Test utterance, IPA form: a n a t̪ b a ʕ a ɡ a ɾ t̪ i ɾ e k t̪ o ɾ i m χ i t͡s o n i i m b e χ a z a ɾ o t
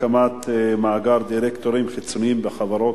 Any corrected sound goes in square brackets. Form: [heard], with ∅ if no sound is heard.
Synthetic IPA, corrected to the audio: a [m] a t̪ [m] a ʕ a ɡ a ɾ [d̪] i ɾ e k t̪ o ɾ i m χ i t͡s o n i i m b e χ a [v] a ɾ o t